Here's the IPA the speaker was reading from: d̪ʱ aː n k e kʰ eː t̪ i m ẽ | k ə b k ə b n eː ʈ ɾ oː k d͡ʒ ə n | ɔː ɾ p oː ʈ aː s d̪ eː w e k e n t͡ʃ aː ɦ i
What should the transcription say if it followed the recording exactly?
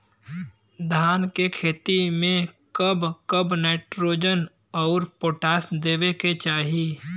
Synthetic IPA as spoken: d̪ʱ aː n k e kʰ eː t̪ i m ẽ | k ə b k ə b n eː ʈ ɾ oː d͡ʒ ə n | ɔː ɾ p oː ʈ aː s d̪ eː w e k e t͡ʃ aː ɦ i